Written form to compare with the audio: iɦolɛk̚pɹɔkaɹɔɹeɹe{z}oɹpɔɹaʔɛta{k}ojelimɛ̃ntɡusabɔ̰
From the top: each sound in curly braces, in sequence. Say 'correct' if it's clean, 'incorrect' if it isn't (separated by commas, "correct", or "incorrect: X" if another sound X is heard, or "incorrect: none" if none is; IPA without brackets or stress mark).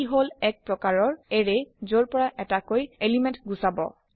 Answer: correct, correct